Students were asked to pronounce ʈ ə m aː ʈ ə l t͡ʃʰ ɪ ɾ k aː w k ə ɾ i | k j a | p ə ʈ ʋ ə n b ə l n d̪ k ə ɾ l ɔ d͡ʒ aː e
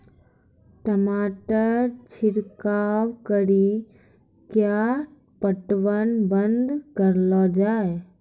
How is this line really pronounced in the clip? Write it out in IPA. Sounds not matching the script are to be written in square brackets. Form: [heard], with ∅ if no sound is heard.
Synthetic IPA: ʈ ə m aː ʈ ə [ɾ] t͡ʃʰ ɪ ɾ k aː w k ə ɾ i | k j a | p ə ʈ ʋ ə n b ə [∅] n d̪ k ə ɾ l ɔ d͡ʒ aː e